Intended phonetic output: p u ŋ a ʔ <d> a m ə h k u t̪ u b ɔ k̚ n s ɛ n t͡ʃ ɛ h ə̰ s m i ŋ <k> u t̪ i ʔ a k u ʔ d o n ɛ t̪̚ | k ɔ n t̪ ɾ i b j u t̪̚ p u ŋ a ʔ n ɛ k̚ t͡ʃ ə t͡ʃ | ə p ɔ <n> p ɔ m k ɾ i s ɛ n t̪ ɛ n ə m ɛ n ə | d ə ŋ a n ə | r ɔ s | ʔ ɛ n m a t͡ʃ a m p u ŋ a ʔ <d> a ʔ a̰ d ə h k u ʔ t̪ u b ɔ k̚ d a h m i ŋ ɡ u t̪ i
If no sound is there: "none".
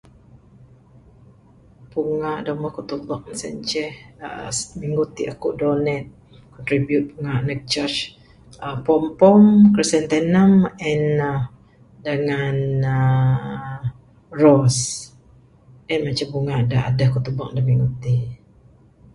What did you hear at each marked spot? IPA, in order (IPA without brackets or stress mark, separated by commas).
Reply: d, ɡ, m, d